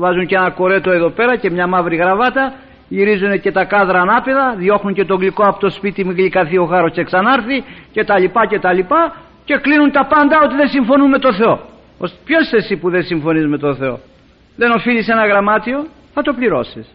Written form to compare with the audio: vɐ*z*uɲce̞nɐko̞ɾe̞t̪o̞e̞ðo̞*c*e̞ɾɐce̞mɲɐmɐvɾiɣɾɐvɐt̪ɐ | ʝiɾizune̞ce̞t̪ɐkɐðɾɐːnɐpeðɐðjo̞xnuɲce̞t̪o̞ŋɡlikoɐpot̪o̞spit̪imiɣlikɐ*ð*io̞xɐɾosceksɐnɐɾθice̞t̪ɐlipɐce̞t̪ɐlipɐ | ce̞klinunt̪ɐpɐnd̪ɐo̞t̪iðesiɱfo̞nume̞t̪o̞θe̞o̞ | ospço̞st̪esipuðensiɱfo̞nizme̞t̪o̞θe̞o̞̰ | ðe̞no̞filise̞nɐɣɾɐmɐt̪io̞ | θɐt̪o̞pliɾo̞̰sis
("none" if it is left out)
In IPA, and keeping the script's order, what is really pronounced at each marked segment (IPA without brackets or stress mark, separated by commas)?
z, p, θ